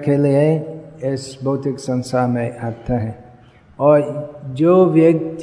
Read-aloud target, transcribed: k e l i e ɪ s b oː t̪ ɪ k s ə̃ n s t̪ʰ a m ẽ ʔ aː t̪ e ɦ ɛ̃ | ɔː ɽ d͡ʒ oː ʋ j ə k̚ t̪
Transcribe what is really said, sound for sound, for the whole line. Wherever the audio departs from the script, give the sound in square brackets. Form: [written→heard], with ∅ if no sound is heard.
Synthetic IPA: k e l i e ɪ s b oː t̪ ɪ k s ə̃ n s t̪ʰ a m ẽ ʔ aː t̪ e ɦ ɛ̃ | ɔː [ɽ→ɾ] d͡ʒ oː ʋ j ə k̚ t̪